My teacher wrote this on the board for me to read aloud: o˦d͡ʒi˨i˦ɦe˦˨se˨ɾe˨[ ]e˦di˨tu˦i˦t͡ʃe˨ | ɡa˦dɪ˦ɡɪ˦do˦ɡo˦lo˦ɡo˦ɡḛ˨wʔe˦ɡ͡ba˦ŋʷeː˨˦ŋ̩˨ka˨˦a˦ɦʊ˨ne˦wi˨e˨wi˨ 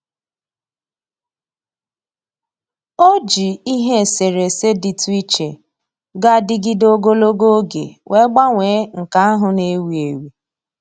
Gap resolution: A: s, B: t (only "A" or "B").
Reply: A